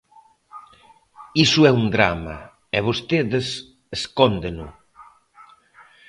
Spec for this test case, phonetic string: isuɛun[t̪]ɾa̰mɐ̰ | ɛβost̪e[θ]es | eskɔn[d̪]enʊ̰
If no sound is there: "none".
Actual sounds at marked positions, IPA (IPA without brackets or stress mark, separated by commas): d̪, ð, d̪